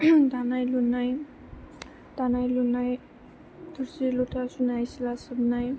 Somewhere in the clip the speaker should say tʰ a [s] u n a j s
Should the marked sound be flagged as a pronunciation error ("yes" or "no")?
no